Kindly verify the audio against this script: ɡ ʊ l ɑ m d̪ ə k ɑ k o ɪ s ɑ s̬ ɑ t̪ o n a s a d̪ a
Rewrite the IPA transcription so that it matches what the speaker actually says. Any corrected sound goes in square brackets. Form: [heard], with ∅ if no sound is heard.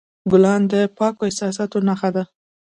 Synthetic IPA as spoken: ɡ ʊ l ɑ [n] d̪ ə [p] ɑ k o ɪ s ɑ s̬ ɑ t̪ o n a [x] a d̪ a